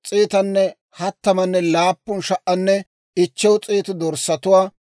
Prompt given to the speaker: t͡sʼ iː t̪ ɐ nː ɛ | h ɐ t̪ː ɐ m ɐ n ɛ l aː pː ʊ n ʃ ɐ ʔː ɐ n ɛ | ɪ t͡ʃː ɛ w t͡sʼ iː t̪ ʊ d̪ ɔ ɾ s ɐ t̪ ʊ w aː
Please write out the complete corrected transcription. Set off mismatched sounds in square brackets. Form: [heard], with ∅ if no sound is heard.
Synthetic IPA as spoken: t͡sʼ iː t̪ ɐ nː ɛ | h ɐ t̪ː ɐ m ɐ [nː] ɛ l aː pː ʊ n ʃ ɐ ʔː ɐ [nː] ɛ | ɪ t͡ʃː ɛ w t͡sʼ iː t̪ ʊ d̪ ɔ ɾ s ɐ t̪ ʊ w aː

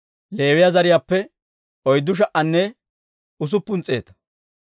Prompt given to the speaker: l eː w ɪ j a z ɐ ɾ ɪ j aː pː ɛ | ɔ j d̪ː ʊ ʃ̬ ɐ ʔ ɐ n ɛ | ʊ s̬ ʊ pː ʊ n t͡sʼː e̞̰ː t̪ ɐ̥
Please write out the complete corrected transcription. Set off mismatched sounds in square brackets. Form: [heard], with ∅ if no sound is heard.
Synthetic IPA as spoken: l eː w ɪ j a z ɐ ɾ ɪ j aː pː ɛ | ɔ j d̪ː ʊ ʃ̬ ɐ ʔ ɐ [nː] ɛ | ʊ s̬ ʊ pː ʊ n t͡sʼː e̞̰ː t̪ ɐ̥

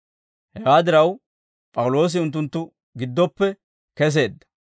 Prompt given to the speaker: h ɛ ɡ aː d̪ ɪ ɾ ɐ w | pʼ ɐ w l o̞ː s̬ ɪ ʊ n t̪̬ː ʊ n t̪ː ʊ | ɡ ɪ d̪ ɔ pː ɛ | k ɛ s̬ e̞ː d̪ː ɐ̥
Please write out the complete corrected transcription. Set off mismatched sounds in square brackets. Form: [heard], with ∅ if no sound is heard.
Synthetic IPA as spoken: h ɛ ɡ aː d̪ ɪ ɾ ɐ w | pʼ ɐ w l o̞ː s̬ ɪ ʊ n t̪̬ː ʊ n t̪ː ʊ | ɡ ɪ [d̪ː] ɔ pː ɛ | k ɛ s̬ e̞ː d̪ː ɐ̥

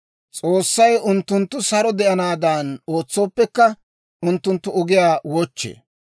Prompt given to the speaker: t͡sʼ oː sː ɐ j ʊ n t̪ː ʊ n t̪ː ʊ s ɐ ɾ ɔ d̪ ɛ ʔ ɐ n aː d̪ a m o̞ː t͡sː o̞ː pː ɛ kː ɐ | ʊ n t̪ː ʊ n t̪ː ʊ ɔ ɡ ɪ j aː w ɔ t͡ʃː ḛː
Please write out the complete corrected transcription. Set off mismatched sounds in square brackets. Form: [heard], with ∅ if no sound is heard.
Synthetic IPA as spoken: t͡sʼ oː sː ɐ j ʊ n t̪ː ʊ n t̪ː ʊ s ɐ ɾ ɔ d̪ ɛ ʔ ɐ n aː d̪ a [n] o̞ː t͡sː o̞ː pː ɛ kː ɐ | ʊ n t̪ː ʊ n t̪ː ʊ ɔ ɡ ɪ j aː w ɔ t͡ʃː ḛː

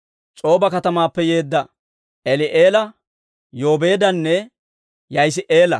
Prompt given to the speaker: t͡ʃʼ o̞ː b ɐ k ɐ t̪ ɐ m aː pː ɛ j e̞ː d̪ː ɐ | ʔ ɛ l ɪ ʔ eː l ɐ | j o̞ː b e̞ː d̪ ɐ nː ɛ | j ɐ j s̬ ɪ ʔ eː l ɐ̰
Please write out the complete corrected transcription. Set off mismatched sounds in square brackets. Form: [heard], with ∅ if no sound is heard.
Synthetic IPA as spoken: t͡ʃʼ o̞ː b ɐ k ɐ t̪ ɐ m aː pː ɛ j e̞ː d̪ː ɐ | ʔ ɛ l ɪ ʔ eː l ɐ | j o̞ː b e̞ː d̪ ɐ nː ɛ | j ɐ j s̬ ɪ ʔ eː l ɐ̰

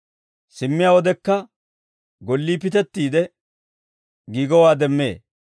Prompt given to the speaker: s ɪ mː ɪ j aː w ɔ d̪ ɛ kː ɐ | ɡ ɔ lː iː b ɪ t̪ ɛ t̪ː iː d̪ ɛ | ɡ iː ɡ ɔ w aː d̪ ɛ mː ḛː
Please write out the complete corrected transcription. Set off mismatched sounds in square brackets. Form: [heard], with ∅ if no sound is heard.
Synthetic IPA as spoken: s ɪ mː ɪ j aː w ɔ d̪ ɛ kː ɐ | ɡ ɔ lː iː [p] ɪ t̪ ɛ t̪ː iː d̪ ɛ | ɡ iː ɡ ɔ w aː d̪ ɛ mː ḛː

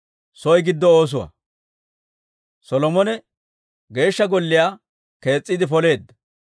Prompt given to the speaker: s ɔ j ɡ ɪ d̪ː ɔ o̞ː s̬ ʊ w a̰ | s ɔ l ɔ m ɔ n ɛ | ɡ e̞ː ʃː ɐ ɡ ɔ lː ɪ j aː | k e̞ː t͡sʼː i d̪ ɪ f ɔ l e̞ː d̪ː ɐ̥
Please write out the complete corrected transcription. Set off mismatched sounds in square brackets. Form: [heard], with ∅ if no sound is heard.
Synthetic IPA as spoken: s ɔ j ɡ ɪ d̪ː ɔ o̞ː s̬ ʊ w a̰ | s ɔ l ɔ m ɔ n ɛ | ɡ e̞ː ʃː ɐ ɡ ɔ lː ɪ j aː | k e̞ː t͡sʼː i d̪ ɪ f ɔ l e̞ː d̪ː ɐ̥

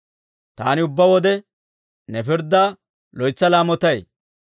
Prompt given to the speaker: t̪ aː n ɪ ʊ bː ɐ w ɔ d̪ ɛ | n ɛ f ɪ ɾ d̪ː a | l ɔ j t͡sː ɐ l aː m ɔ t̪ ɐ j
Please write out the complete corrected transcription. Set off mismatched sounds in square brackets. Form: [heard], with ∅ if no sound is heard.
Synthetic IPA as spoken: t̪ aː n ɪ ʊ bː ɐ w ɔ d̪ ɛ | n ɛ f ɪ ɾ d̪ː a | l ɔ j t͡sː ɐ l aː m ɔ t̪ ɐ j

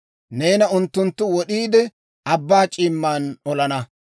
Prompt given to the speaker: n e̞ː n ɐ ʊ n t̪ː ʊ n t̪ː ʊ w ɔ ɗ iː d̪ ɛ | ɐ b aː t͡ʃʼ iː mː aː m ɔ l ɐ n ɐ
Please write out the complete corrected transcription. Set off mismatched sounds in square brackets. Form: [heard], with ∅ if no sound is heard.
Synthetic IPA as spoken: n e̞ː n ɐ ʊ n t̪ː ʊ n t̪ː ʊ w ɔ ɗ iː d̪ ɛ | ɐ [bː] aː t͡ʃʼ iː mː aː [n] ɔ l ɐ n ɐ

